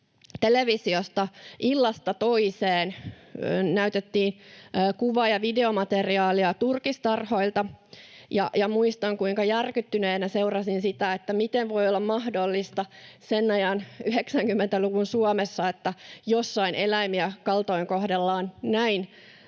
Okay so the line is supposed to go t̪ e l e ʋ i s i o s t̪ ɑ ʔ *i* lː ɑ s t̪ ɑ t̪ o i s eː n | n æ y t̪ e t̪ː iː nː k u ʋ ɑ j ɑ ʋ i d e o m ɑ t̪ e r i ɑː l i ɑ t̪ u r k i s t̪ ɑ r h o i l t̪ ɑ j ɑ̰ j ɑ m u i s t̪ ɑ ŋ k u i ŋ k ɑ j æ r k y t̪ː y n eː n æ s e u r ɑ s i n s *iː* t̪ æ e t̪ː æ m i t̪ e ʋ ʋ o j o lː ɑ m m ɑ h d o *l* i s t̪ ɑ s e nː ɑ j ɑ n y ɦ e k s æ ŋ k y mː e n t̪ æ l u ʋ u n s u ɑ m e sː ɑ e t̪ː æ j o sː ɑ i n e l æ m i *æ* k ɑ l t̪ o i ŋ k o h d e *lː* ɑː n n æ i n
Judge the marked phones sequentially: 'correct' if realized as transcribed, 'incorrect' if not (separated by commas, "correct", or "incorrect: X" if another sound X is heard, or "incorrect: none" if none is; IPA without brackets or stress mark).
correct, incorrect: i, incorrect: lː, correct, correct